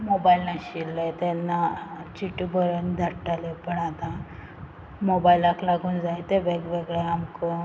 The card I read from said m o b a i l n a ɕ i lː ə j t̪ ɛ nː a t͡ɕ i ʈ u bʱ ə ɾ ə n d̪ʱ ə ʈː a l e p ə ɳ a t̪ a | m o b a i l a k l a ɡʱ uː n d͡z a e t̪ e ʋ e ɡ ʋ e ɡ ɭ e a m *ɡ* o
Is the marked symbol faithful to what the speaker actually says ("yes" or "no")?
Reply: no